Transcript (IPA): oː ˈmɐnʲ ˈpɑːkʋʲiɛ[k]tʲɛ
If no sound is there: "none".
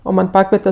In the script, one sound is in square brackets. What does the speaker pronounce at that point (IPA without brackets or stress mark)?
none